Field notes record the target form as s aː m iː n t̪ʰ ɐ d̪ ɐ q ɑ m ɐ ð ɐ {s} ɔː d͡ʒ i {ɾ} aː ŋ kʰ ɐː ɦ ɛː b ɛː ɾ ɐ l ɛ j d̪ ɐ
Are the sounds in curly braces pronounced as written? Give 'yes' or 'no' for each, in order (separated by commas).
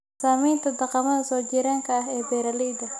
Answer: yes, yes